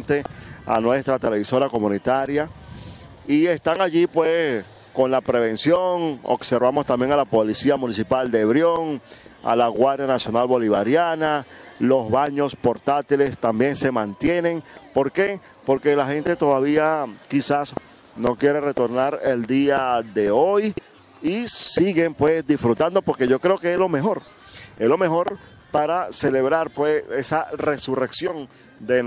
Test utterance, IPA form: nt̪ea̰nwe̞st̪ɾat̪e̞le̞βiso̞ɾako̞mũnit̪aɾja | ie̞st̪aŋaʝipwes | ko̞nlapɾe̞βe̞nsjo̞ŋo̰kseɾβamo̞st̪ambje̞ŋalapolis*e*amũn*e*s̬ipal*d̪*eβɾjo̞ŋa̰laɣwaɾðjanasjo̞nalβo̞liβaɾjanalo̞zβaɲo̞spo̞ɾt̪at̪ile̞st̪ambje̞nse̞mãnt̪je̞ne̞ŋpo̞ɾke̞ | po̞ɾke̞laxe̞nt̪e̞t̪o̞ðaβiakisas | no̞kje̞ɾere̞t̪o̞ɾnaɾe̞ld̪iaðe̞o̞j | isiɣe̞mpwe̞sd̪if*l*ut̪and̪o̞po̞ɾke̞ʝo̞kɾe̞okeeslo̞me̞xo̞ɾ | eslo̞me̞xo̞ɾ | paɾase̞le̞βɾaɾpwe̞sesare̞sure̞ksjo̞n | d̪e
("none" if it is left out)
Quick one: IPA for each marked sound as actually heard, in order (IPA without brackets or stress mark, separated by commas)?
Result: i, i, d̪, ɾ